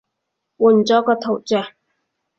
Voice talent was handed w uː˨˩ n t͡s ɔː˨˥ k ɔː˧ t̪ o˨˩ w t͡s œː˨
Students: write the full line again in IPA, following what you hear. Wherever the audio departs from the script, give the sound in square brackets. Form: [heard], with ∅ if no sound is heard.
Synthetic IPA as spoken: w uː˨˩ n t͡s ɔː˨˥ k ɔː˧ [t̪ʰ] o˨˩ w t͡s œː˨